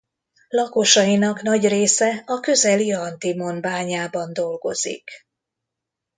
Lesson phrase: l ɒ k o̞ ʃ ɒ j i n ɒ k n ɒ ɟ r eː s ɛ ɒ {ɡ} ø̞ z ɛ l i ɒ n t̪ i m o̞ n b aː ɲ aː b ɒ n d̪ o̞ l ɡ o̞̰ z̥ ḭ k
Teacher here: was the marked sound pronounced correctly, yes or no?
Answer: no